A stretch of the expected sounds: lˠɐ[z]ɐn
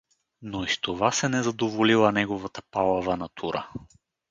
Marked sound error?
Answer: yes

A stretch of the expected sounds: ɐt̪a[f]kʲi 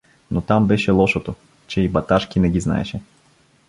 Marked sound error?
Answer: yes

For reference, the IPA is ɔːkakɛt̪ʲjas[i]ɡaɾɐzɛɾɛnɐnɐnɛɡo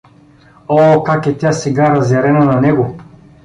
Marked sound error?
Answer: yes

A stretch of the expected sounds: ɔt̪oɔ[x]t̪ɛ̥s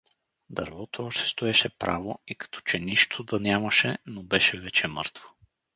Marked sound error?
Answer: yes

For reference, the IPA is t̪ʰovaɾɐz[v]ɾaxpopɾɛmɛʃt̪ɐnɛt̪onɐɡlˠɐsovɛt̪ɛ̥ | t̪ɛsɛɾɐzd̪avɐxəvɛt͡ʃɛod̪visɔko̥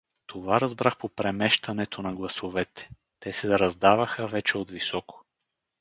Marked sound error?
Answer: yes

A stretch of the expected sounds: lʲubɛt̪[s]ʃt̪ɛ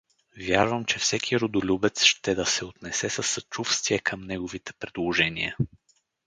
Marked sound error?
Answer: no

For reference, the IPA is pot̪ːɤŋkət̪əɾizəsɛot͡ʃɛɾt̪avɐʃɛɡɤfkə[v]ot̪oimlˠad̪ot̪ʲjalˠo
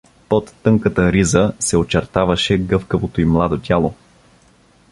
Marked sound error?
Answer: no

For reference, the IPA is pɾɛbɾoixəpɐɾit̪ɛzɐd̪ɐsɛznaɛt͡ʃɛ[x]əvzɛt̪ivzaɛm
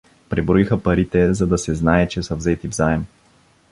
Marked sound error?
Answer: yes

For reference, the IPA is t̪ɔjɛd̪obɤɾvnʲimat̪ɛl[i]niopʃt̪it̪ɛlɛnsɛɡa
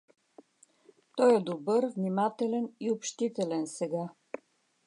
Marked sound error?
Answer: yes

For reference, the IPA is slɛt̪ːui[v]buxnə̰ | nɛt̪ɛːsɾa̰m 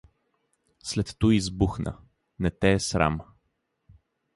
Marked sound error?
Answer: yes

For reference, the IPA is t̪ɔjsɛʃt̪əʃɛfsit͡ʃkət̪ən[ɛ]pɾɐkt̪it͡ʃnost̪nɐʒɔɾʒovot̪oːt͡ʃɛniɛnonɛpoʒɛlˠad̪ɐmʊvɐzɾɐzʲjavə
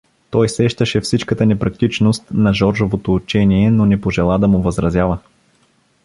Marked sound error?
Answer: no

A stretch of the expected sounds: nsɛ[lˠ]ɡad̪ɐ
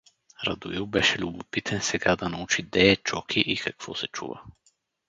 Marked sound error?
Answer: yes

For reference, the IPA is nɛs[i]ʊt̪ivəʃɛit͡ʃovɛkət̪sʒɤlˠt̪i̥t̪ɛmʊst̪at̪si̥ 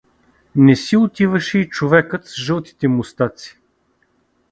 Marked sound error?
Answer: no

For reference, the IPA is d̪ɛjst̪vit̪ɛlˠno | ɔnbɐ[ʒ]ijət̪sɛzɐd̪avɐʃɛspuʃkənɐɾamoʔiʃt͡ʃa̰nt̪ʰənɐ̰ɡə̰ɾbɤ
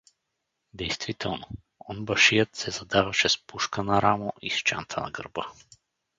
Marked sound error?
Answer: yes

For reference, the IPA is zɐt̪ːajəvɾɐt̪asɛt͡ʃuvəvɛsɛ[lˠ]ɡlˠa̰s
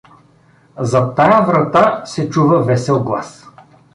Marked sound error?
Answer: no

